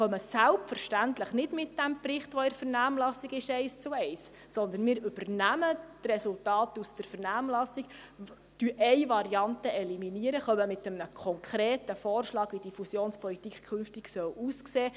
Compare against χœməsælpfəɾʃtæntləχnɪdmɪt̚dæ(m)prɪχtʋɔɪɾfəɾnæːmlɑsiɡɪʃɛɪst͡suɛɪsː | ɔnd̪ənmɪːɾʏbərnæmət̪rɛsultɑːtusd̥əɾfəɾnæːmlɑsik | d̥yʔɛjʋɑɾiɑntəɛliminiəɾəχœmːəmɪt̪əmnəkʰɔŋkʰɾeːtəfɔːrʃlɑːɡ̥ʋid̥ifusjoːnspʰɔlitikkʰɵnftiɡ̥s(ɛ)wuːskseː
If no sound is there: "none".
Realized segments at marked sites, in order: m, œ

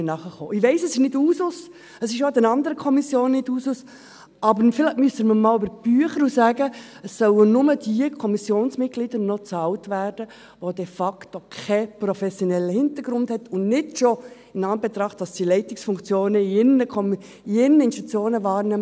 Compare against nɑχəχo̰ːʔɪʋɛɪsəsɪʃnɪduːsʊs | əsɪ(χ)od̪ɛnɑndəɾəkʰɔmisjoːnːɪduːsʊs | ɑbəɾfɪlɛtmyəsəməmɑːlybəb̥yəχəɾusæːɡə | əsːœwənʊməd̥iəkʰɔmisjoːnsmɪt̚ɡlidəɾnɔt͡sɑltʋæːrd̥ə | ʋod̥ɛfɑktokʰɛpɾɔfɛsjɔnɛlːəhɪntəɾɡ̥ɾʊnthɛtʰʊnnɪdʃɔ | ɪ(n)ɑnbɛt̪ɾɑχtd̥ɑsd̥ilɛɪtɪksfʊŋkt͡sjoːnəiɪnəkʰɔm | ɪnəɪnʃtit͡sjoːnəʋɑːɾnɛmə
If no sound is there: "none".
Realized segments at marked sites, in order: ʃ, n

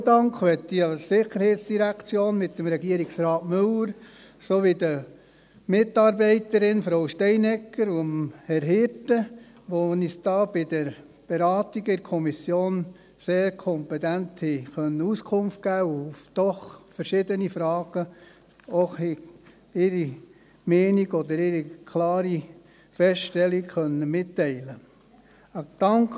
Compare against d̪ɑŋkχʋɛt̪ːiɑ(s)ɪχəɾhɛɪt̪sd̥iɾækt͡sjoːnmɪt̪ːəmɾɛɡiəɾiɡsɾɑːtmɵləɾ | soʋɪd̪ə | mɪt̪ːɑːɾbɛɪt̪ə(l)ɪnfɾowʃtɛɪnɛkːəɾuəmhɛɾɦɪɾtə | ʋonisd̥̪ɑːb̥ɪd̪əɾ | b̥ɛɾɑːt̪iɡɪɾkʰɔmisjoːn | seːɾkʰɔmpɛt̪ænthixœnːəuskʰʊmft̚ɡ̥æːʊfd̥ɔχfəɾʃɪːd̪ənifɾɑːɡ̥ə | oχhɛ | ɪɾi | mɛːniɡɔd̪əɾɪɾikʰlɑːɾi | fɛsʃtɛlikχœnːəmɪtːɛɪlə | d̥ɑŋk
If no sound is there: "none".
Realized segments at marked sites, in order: s, ɾ

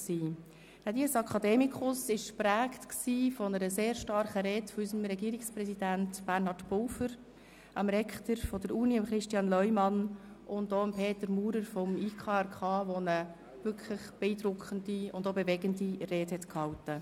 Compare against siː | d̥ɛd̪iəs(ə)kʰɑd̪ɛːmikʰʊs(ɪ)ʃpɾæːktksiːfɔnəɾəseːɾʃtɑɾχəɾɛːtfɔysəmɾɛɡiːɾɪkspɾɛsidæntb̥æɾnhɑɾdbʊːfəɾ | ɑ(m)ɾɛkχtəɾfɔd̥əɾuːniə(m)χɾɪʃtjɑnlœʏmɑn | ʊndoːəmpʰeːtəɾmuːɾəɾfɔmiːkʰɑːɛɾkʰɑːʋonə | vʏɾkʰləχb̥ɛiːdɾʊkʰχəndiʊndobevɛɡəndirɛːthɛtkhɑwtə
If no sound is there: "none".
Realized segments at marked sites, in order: ɑ, ɪ, m, m

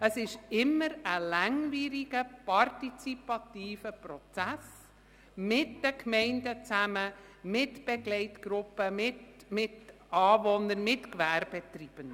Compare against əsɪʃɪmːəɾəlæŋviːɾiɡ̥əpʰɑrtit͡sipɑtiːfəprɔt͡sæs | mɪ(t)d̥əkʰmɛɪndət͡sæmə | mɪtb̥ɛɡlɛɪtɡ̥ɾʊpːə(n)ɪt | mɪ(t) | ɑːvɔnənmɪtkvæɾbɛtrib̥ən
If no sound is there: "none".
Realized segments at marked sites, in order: t, m, t

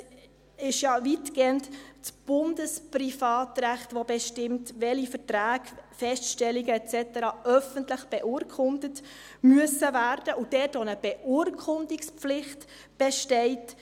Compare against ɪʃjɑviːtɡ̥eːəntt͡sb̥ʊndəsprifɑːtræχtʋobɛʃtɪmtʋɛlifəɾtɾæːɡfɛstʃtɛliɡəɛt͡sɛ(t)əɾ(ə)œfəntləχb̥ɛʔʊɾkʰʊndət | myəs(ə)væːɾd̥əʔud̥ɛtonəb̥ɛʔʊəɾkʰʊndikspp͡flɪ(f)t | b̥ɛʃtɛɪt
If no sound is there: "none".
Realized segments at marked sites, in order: t, ɑ, ə, χ

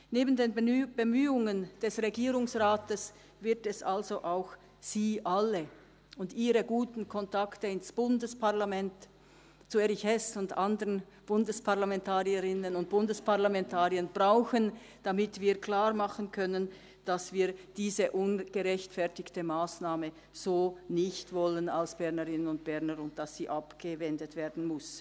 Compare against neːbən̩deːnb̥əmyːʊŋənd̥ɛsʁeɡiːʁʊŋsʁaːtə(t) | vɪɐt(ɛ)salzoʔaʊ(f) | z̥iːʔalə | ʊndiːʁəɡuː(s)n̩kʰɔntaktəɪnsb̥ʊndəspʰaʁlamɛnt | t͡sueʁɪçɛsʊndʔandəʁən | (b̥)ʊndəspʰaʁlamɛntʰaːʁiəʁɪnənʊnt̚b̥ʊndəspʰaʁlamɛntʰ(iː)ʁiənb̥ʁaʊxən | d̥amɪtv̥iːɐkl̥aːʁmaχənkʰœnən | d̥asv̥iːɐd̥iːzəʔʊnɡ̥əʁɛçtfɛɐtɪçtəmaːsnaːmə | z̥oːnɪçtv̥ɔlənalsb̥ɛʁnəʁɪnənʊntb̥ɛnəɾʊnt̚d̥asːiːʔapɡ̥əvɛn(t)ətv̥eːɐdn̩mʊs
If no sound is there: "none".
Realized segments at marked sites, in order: s, ɛ, x, t, b̥, aː, d

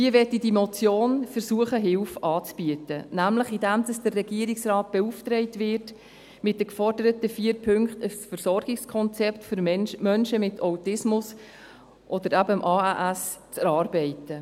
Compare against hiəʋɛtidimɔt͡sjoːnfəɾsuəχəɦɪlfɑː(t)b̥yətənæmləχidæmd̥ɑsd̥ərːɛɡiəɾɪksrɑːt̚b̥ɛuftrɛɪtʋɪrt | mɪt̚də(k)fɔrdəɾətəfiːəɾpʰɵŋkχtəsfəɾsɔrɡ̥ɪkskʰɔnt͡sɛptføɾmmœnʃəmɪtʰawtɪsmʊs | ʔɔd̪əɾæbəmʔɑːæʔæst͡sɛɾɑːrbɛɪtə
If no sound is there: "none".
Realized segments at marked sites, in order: t͡s, k

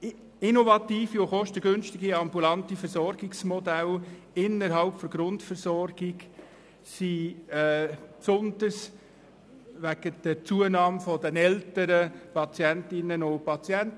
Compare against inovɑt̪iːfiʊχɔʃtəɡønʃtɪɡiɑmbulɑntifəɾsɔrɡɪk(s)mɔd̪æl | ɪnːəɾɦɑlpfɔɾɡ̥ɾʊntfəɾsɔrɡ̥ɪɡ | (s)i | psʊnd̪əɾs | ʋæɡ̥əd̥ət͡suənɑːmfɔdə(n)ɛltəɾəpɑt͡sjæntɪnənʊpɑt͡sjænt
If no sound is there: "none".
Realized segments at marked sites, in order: s, s, n

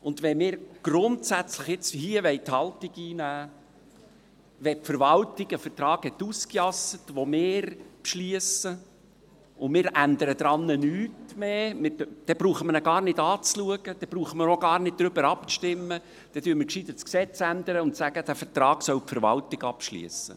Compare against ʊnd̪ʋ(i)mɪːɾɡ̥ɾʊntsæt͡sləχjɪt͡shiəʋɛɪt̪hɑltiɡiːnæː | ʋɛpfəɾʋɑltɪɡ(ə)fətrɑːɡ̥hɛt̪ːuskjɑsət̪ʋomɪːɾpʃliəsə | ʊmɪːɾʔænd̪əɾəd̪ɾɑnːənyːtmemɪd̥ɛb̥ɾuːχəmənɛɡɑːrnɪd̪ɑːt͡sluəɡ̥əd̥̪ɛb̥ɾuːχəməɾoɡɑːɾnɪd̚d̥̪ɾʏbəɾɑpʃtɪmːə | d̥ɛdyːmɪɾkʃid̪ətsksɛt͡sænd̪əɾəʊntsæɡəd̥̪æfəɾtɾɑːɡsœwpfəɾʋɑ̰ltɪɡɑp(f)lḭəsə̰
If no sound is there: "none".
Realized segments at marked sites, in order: ɛ, ə, ʃ

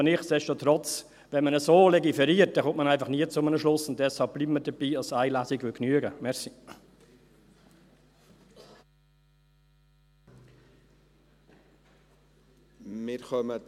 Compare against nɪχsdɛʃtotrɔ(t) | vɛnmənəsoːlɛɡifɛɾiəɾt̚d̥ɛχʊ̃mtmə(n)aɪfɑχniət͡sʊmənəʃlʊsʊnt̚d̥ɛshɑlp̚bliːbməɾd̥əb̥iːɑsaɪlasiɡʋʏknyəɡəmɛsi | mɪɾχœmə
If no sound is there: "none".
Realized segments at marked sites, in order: t͡s, n

